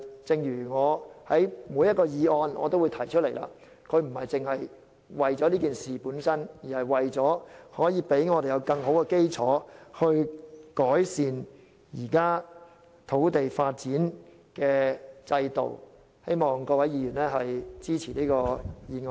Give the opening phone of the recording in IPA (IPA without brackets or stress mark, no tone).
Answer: t͡s